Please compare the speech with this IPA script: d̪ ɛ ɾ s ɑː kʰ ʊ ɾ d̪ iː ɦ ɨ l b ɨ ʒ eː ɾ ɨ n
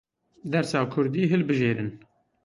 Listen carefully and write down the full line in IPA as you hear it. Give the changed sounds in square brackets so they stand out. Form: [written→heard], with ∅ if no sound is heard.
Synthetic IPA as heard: d̪ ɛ ɾ s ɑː kʰ ʊ ɾ d̪ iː ɦ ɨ l b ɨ ʒ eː ɾ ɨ n

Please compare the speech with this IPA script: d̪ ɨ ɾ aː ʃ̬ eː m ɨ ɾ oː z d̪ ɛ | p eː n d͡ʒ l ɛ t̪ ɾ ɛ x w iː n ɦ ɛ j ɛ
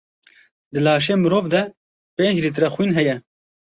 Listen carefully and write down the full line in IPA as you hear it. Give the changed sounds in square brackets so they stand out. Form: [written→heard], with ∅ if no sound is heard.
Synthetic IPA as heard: d̪ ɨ [ɾ→l] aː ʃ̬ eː m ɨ ɾ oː [z→v] d̪ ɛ | p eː n d͡ʒ l [ɛ→i] t̪ ɾ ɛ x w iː n ɦ ɛ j ɛ

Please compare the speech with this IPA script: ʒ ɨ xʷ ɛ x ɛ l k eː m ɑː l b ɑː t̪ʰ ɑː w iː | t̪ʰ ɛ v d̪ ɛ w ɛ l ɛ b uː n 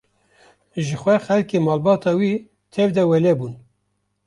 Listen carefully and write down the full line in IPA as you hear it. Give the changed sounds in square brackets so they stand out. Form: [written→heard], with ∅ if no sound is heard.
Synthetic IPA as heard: ʒ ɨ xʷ ɛ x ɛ l k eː m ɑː l b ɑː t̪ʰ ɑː w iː | t̪ʰ ɛ v d̪ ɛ w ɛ l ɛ b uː n

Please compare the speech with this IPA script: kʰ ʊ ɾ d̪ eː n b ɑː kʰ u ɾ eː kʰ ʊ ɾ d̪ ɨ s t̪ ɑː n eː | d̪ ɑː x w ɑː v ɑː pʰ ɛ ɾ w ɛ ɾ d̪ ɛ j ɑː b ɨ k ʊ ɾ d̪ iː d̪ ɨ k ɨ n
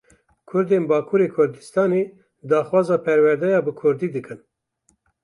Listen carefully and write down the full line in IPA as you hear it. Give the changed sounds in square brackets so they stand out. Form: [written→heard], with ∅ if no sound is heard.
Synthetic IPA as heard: kʰ ʊ ɾ d̪ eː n b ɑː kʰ u ɾ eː kʰ ʊ ɾ d̪ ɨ s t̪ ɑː n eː | d̪ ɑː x w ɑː [v→z] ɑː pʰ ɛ ɾ w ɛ ɾ d̪ ɛ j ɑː b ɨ [k→kʰ] ʊ ɾ d̪ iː d̪ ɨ k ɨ n

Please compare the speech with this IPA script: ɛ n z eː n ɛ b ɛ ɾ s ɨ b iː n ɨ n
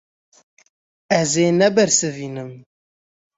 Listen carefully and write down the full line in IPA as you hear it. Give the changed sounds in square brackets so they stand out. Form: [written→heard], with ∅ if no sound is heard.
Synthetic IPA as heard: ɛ [n→∅] z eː n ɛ b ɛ ɾ s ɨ [b→v] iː n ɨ [n→m]

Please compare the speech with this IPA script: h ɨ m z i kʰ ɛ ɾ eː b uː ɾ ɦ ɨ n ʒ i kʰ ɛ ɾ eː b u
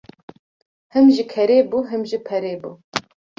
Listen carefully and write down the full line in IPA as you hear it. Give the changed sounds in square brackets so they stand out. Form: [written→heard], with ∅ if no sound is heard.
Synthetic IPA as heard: h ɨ m [z→ʒ] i kʰ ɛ ɾ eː b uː [ɾ→∅] ɦ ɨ [n→m] ʒ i [kʰ→pʰ] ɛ ɾ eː b u

